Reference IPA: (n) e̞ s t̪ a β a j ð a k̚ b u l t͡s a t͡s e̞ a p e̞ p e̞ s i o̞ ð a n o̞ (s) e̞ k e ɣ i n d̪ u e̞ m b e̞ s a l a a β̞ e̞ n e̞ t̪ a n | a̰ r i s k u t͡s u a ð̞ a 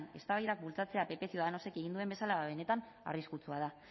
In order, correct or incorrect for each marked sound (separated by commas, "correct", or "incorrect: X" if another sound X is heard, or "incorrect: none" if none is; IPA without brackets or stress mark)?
correct, correct